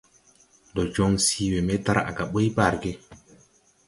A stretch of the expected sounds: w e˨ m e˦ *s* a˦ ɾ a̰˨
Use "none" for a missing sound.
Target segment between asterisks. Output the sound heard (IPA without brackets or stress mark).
t